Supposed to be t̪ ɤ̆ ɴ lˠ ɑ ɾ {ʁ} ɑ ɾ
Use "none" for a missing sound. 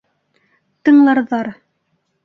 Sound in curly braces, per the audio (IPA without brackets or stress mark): ð